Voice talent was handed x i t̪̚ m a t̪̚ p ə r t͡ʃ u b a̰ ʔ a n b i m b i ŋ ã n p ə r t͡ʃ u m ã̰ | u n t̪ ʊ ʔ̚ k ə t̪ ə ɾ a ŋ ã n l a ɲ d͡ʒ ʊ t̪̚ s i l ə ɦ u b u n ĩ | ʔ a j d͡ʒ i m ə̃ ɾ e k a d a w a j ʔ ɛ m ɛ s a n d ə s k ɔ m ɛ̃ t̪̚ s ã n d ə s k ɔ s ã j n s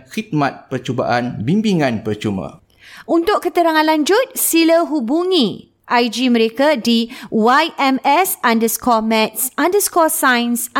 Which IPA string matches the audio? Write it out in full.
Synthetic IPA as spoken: x i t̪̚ m a t̪̚ p ə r t͡ʃ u b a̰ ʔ a n b i m b i ŋ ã n p ə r t͡ʃ u m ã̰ | u n t̪ ʊ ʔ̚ k ə t̪ ə ɾ a ŋ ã n l a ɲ d͡ʒ ʊ t̪̚ s i l ə ɦ u b u ŋ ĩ | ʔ a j d͡ʒ i m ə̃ ɾ e k a d i w a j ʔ ɛ m ɛ s a n d ə s k ɔ m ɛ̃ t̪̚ s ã n d ə s k ɔ s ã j n s